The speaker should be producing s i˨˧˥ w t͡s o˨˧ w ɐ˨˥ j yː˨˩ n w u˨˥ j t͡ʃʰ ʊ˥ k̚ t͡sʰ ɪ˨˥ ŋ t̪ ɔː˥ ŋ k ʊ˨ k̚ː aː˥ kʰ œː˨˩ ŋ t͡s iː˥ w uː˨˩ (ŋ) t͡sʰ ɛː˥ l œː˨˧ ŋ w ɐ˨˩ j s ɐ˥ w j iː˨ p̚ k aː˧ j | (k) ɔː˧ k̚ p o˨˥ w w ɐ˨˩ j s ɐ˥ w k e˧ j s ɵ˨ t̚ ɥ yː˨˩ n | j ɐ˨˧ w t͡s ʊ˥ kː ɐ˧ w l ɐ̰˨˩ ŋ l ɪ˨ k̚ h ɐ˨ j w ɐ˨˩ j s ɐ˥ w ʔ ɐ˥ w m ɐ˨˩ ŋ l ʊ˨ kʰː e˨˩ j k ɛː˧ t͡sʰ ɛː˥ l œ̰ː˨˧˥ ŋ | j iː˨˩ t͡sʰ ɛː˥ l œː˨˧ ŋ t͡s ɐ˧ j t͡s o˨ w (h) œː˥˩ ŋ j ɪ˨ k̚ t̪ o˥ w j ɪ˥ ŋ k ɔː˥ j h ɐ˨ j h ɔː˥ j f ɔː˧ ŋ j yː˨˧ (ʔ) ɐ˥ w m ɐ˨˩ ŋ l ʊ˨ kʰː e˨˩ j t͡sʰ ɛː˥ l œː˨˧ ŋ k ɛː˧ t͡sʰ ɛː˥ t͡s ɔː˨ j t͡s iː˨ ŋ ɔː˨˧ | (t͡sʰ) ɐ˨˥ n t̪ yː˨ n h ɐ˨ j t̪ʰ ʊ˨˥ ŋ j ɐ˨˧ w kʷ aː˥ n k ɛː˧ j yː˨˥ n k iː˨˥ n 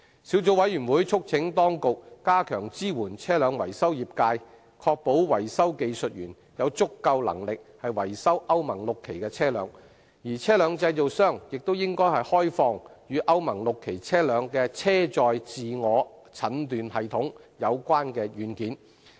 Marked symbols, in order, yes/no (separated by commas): no, no, no, yes, yes